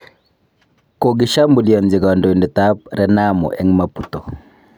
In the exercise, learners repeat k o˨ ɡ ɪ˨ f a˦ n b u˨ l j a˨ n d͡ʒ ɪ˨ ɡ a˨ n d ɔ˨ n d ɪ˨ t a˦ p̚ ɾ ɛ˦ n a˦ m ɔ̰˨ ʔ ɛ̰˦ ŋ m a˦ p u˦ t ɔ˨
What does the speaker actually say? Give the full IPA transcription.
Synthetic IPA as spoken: k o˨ ɡ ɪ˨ ʃ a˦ m b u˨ l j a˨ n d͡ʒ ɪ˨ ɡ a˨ n d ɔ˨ n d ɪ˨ t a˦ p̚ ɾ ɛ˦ n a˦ m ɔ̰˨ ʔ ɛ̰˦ ŋ m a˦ p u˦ t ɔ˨